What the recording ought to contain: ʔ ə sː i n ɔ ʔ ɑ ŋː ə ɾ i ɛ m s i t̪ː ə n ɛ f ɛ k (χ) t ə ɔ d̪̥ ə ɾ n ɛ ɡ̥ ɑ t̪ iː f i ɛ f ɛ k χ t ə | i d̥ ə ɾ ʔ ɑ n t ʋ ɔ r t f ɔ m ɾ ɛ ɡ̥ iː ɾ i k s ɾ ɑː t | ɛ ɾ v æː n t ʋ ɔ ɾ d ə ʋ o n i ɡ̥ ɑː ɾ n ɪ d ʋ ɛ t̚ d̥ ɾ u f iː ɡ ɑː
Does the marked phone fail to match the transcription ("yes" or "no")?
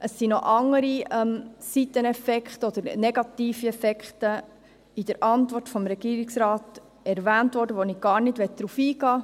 no